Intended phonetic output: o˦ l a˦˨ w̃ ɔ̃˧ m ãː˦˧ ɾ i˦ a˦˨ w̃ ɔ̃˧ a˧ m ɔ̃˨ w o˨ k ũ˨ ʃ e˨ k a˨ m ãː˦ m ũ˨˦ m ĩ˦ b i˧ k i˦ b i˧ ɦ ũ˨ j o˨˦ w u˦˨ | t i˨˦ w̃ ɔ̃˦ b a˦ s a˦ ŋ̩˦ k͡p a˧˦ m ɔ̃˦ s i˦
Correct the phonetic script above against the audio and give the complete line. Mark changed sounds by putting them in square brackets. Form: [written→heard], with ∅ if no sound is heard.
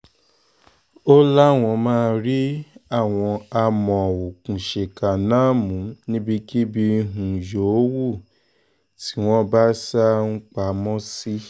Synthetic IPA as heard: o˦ l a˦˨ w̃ ɔ̃˧ m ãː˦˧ ɾ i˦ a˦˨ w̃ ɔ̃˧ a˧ m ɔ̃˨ w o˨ k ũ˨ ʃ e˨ k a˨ [m→n] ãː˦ m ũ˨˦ [m→n] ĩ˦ b i˧ k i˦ b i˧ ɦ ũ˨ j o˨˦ w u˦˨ | t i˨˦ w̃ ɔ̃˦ b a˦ s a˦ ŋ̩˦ k͡p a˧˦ m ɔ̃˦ s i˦